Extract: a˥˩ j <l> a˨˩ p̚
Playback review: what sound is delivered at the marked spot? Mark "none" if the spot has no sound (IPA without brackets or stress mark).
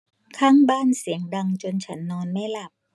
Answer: l